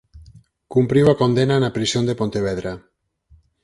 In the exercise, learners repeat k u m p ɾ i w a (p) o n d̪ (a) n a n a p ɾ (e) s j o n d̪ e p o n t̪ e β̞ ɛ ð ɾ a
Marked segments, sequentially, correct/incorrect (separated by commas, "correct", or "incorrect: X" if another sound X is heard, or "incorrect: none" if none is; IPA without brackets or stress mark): incorrect: k, incorrect: e, incorrect: i